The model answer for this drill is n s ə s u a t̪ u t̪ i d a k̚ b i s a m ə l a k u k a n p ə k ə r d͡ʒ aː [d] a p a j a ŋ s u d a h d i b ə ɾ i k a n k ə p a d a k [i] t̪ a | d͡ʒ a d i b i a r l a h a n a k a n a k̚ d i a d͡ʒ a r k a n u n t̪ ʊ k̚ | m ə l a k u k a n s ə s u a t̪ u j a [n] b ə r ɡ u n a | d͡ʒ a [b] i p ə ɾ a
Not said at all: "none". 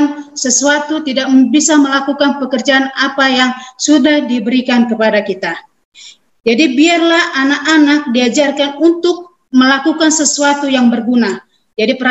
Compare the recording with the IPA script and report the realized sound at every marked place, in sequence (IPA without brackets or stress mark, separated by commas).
n, i, ŋ, d